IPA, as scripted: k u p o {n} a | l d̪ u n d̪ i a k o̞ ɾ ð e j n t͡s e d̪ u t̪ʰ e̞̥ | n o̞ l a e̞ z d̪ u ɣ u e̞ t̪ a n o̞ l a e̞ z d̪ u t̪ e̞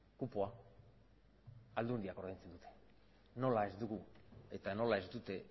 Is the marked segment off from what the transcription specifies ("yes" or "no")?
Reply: yes